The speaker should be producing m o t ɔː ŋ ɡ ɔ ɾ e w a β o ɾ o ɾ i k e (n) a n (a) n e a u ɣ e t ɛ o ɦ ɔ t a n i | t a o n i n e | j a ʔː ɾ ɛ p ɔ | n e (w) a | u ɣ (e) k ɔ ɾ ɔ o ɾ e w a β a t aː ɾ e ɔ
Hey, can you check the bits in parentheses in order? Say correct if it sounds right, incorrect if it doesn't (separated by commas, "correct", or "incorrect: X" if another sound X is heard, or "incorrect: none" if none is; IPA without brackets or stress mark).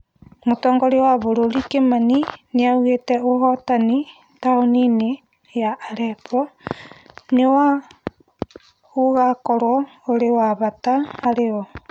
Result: incorrect: m, incorrect: i, correct, incorrect: a